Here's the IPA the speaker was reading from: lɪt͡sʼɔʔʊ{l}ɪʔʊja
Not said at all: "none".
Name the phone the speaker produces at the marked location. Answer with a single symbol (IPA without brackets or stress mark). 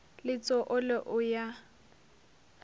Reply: l